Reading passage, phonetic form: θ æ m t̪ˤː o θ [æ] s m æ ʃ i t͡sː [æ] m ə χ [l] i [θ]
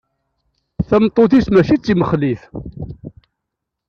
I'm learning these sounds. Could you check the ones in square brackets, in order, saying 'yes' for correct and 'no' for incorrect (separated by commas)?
no, no, yes, yes